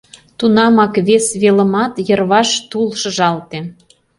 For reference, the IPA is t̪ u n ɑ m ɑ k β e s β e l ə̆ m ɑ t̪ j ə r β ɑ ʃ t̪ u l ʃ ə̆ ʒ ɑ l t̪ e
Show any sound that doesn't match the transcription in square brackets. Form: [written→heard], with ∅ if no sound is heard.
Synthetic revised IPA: t̪ u n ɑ m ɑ k β e s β e l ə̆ m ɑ t̪ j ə r β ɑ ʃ t̪ u l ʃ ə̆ ʒ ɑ l t̪ e